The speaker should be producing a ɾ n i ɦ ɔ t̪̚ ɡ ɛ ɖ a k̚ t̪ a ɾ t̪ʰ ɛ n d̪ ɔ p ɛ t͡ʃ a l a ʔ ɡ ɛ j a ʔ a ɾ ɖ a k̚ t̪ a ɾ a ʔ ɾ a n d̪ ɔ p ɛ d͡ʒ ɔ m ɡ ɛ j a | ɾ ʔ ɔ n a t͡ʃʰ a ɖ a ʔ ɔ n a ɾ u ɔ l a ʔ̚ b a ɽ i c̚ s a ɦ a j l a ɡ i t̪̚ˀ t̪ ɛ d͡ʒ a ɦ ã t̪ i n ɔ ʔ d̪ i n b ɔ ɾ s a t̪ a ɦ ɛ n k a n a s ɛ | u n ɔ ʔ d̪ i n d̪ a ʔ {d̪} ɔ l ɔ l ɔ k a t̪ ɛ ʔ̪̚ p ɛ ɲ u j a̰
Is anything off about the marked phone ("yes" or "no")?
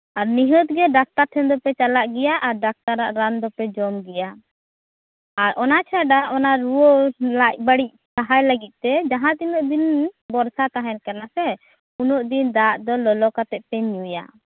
no